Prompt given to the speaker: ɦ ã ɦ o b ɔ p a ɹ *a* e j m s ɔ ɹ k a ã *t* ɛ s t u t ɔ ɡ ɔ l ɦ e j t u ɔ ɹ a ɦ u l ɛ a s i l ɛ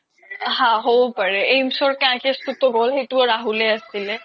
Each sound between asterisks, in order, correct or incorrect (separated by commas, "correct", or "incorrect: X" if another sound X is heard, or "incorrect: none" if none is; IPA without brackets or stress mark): incorrect: ɛ, incorrect: k